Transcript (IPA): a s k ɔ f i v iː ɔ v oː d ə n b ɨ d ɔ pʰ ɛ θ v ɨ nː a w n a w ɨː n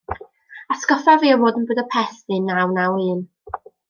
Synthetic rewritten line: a s k ɔ f a v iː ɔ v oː d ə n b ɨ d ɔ pʰ ɛ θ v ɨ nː a w n a w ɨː n